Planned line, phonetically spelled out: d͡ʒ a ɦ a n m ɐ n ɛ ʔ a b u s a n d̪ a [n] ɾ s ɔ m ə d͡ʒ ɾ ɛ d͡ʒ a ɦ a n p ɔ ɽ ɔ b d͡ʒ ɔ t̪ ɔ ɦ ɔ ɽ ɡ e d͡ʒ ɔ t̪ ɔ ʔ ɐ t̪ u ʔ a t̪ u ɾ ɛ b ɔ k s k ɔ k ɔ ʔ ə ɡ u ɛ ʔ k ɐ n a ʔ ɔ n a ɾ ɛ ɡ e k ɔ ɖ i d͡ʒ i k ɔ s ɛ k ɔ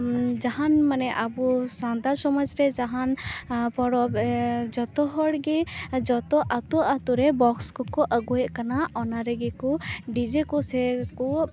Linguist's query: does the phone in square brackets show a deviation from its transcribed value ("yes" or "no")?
yes